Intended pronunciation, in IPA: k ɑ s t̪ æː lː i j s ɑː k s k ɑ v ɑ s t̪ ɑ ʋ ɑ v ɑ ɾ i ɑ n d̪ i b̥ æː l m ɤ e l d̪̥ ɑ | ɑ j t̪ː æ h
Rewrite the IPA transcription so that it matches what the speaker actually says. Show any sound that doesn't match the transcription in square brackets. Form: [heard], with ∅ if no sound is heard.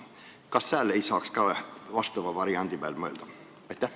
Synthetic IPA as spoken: k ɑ s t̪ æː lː [e] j s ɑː k s k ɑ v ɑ s t̪ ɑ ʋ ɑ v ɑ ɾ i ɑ n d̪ i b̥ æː l m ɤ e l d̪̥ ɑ | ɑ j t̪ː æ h